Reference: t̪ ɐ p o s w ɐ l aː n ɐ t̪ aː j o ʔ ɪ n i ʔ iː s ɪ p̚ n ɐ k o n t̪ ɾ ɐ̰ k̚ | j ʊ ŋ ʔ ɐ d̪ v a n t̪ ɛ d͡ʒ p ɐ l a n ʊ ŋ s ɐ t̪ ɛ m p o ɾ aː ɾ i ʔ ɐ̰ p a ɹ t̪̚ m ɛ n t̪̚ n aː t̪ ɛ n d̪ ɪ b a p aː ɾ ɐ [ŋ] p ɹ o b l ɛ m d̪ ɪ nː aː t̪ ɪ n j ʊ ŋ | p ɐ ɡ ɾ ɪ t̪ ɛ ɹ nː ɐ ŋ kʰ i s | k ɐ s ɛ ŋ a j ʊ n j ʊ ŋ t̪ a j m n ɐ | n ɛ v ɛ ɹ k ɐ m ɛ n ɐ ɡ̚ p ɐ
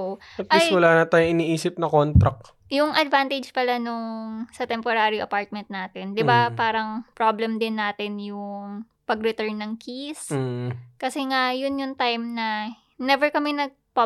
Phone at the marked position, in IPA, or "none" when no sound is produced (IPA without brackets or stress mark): ŋ